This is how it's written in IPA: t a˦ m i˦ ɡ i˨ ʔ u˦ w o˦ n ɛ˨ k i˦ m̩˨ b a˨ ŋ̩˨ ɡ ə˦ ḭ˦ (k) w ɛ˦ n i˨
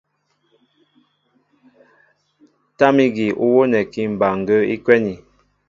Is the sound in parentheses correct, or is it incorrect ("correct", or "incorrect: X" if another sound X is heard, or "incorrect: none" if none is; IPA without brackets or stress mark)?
correct